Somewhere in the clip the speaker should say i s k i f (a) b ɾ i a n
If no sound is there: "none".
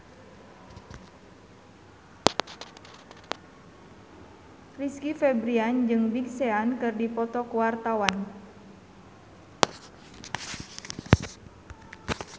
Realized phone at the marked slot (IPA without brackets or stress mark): ɛ